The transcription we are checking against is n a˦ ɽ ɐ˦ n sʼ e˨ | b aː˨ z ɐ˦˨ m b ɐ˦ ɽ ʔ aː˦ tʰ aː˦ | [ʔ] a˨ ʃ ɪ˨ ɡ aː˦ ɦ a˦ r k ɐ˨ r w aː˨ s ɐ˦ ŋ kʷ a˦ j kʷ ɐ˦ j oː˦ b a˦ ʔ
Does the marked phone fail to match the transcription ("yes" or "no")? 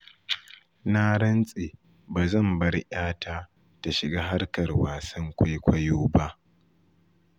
yes